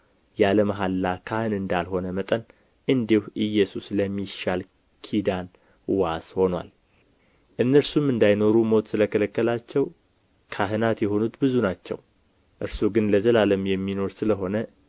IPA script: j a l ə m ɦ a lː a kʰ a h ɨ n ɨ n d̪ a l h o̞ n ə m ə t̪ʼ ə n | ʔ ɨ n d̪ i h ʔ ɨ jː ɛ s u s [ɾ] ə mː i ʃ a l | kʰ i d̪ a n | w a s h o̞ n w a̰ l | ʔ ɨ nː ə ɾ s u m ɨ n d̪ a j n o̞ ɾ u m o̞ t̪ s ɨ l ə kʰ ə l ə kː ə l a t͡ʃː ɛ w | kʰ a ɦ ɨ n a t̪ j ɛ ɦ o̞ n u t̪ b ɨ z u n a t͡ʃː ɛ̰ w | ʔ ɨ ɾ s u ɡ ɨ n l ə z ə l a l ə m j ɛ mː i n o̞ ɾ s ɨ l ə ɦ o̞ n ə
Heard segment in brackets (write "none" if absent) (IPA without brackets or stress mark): l